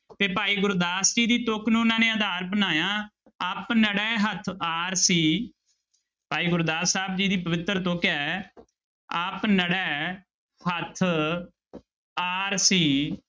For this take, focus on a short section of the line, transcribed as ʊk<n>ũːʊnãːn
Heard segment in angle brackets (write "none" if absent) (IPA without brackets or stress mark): n